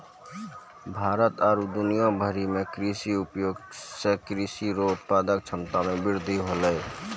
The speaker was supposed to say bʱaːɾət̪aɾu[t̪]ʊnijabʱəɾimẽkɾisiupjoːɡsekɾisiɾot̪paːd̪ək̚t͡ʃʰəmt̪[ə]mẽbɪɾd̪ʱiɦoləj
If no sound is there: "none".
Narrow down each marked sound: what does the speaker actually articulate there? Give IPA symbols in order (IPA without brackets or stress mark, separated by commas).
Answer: d̪, a